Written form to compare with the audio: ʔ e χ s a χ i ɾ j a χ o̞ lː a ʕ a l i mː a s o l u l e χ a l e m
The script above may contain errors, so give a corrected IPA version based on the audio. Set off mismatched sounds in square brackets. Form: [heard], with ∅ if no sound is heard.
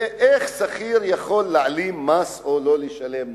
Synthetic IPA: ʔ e χ s a χ i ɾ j a χ o̞ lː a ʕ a l i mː a s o l [o] l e [ʃ] a l e m